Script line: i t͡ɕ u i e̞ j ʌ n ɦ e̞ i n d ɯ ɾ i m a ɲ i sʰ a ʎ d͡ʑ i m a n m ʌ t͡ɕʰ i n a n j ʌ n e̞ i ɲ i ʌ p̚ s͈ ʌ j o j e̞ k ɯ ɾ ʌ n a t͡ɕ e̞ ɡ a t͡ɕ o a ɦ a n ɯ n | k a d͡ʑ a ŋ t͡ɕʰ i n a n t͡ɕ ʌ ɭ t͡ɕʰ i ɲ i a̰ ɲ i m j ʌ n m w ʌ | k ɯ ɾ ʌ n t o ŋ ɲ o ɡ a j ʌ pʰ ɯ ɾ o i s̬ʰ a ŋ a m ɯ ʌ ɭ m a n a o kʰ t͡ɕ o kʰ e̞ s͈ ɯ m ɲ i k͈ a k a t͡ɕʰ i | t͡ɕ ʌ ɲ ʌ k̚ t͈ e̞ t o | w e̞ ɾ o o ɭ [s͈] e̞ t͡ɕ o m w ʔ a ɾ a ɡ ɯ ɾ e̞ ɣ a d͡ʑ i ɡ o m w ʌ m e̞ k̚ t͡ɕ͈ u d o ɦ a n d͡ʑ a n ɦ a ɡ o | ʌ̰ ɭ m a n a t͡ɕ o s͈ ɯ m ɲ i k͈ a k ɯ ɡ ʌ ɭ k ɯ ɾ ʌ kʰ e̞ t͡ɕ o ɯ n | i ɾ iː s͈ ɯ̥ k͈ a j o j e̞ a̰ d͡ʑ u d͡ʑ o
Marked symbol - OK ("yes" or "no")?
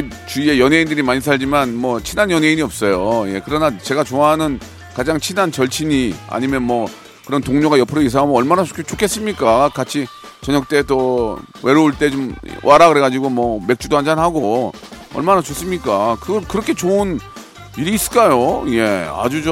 no